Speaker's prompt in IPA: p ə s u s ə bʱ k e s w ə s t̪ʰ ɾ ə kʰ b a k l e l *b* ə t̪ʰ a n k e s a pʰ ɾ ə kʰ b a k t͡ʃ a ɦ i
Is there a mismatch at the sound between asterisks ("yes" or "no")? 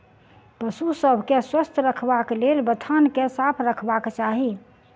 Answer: no